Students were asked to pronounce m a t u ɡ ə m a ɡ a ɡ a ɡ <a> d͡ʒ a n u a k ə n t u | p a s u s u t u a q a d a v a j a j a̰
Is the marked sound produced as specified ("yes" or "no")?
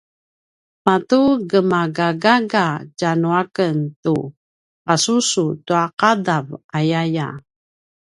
yes